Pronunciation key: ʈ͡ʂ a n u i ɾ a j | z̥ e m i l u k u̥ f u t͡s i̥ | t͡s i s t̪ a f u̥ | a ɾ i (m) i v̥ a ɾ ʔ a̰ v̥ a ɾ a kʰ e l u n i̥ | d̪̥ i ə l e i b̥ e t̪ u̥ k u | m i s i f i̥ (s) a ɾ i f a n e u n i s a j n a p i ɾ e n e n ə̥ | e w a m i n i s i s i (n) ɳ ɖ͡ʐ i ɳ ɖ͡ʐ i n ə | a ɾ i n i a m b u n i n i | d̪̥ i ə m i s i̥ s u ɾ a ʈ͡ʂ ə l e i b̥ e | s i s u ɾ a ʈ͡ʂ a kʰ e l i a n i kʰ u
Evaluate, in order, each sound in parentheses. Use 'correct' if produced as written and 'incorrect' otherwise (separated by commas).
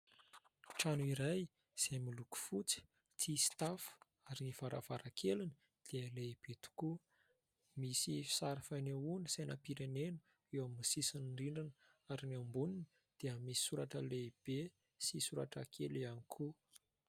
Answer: incorrect, correct, correct